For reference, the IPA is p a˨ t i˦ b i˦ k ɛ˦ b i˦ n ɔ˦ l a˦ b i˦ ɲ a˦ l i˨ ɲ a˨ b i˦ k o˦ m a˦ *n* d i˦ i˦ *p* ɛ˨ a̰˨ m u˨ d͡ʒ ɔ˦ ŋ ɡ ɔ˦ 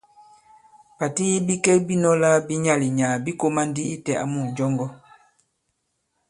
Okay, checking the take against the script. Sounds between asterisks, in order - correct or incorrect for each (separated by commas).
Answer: correct, incorrect